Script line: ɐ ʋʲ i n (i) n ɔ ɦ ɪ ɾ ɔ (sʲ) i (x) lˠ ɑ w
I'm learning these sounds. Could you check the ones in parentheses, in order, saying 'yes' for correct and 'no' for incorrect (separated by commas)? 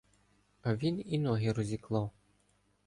yes, no, no